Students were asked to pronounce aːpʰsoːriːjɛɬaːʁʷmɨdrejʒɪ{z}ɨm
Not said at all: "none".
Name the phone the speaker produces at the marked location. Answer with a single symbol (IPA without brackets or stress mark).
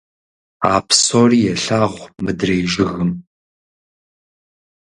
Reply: ɣ